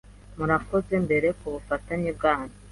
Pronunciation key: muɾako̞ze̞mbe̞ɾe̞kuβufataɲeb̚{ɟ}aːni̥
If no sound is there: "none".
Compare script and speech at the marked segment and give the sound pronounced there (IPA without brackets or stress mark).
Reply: ɡ